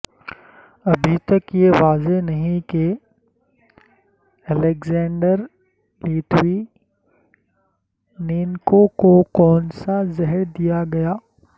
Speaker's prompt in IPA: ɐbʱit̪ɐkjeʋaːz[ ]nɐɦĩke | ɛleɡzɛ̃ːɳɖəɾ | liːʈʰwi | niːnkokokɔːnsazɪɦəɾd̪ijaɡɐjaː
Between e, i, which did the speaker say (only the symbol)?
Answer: e